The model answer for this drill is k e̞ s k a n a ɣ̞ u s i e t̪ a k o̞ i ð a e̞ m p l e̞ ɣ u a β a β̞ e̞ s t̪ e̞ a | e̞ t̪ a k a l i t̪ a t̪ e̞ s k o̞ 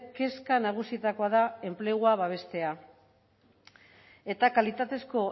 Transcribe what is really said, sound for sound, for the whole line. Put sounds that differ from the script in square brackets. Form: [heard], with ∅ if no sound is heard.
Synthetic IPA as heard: k e̞ s k a n a ɣ̞ u s i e t̪ a k o̞ [a] ð a e̞ m p l e̞ ɣ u a β a β̞ e̞ s t̪ e̞ a | e̞ t̪ a k a l i t̪ a t̪ e̞ s k o̞